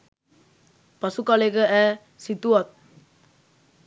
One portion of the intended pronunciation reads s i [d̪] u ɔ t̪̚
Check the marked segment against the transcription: incorrect: t̪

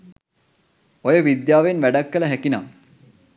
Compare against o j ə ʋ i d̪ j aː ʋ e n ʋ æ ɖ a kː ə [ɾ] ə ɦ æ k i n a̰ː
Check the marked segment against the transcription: incorrect: l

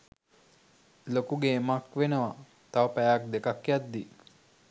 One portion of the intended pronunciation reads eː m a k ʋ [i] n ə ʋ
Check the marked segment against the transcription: incorrect: e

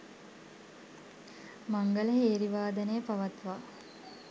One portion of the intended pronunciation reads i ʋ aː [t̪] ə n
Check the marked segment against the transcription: incorrect: d̪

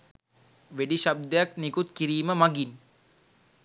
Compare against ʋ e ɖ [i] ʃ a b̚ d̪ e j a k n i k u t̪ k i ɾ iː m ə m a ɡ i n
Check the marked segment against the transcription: correct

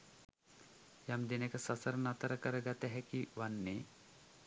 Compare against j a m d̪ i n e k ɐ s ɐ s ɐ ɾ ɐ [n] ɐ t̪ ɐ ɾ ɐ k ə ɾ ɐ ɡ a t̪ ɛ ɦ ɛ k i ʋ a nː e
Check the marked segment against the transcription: correct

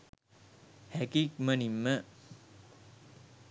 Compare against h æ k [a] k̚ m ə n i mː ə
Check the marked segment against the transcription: incorrect: i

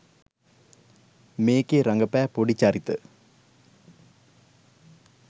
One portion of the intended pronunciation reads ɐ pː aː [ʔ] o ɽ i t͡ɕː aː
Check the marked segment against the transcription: incorrect: p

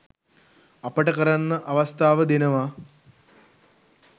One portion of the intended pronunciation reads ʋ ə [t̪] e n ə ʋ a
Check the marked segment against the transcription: incorrect: d̪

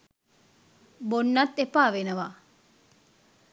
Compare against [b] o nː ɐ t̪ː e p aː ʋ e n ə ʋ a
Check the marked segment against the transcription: correct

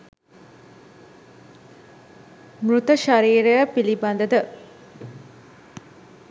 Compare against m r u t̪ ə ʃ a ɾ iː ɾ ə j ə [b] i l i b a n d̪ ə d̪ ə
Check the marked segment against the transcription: incorrect: p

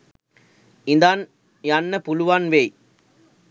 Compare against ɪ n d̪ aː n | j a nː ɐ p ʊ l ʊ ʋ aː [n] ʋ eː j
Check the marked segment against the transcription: correct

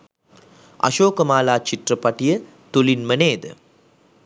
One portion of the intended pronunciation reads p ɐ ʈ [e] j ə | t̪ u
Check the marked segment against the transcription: incorrect: i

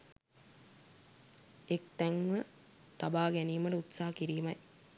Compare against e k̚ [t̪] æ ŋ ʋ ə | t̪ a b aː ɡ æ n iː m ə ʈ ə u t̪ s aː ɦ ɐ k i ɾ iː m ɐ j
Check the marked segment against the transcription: correct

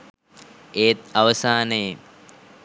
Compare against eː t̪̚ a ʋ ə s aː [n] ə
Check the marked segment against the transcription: correct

